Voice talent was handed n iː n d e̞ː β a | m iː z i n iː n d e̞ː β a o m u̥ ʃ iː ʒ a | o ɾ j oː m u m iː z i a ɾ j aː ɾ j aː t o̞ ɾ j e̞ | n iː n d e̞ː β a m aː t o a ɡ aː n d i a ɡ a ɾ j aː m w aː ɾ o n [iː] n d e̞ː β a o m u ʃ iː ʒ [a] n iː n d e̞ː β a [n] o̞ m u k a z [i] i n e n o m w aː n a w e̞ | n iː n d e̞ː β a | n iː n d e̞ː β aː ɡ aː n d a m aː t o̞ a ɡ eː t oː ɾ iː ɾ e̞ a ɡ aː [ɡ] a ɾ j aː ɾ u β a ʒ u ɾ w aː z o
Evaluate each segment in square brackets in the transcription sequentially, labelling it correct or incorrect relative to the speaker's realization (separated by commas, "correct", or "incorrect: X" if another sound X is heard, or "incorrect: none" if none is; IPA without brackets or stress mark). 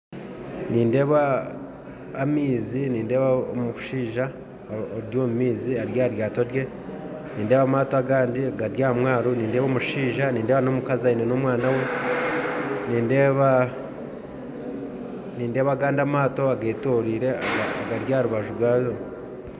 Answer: correct, correct, correct, incorrect: a, correct